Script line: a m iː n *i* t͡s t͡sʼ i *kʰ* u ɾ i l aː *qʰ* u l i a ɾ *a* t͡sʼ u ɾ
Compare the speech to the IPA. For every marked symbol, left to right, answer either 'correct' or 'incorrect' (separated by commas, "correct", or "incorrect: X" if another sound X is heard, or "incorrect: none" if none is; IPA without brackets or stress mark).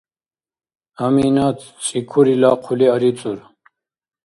incorrect: a, correct, correct, incorrect: i